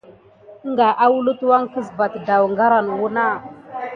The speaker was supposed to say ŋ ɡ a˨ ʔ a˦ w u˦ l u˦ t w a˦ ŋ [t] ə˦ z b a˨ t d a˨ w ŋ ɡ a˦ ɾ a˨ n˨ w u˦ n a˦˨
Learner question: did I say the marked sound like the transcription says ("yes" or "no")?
no